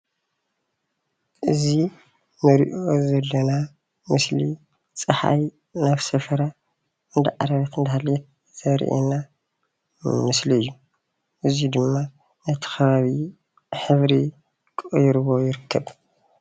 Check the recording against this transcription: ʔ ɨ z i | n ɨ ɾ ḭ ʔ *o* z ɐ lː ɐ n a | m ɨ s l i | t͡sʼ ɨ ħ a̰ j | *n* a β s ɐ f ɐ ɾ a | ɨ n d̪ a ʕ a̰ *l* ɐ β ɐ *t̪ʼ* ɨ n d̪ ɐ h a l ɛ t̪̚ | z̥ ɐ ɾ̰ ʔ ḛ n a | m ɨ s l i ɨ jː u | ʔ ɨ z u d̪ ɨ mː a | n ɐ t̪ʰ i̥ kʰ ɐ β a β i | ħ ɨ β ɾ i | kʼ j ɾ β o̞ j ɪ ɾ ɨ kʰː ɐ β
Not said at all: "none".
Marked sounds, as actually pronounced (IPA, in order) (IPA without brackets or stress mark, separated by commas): o, n, ɾ, t̪